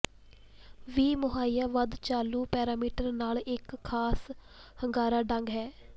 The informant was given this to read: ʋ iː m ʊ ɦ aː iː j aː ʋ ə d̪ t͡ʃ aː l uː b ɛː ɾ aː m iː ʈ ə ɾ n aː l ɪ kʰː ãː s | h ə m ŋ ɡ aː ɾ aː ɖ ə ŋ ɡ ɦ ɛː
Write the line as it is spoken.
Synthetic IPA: ʋ iː m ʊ ɦ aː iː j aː ʋ ə d̪ t͡ʃ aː l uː p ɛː ɾ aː m iː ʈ ə ɾ n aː l ɪ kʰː aː s | h ə ŋ ɡ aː ɾ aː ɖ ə ŋ ɡ ɦ ɛː